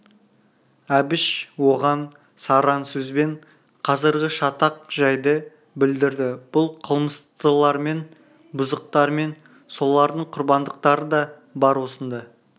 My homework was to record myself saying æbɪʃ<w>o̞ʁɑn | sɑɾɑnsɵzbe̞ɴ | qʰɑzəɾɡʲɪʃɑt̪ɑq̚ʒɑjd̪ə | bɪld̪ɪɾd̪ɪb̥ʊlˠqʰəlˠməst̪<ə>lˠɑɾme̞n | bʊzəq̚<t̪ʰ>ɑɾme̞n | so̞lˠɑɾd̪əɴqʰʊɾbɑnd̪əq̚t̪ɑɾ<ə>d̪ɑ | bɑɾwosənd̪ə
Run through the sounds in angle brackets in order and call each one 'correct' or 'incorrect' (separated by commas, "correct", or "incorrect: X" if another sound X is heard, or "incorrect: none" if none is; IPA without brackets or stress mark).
correct, correct, incorrect: t̪, correct